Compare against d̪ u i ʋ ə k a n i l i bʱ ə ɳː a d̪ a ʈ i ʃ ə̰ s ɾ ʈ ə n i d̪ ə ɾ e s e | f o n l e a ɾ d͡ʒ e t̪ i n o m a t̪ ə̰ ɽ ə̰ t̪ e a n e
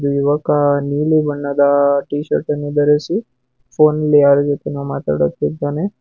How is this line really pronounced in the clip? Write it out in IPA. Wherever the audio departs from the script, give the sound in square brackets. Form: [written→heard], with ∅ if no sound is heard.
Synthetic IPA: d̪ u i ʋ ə k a n i l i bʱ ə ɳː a d̪ a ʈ i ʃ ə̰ [s→∅] ɾ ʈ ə n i d̪ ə ɾ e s [e→i] | f o n l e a ɾ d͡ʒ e t̪ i n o m a t̪ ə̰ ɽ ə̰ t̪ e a n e